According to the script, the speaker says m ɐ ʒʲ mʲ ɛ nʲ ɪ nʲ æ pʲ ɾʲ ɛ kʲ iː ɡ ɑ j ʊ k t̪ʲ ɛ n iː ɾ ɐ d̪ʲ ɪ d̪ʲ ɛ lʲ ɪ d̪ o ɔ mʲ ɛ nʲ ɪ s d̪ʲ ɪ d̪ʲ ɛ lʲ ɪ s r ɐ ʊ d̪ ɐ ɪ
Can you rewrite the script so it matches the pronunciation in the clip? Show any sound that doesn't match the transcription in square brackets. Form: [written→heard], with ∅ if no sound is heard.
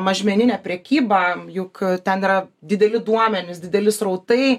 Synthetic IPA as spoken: m ɐ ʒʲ mʲ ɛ nʲ ɪ nʲ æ pʲ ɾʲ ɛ kʲ iː [ɡ→b] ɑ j ʊ k t̪ʲ ɛ n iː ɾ ɐ d̪ʲ ɪ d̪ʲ ɛ lʲ ɪ d̪ [o→u] ɔ mʲ ɛ nʲ ɪ s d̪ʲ ɪ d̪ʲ ɛ lʲ ɪ s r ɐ ʊ [d̪→t̪] ɐ ɪ